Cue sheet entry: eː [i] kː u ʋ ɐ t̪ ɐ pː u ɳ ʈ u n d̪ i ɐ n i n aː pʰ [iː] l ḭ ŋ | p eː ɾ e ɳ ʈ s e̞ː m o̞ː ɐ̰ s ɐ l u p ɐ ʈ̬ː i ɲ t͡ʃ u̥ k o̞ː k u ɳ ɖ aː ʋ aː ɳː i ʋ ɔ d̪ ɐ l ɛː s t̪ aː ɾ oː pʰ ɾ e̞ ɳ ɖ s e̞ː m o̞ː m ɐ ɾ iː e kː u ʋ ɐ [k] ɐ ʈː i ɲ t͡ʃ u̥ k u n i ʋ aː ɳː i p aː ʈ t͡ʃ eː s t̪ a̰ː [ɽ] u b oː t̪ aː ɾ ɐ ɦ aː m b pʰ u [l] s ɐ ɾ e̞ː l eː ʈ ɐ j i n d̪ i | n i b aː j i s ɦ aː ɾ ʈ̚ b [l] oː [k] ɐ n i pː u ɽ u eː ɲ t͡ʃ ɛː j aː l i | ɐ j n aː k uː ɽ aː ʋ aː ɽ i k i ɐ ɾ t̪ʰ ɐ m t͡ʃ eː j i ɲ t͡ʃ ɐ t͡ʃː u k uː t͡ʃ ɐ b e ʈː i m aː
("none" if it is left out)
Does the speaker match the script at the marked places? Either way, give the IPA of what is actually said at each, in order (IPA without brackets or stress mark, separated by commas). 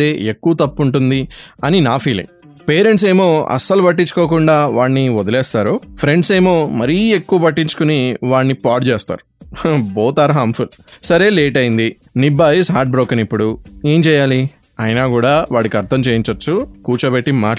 e, iː, p, ɾ, l, ɾ, k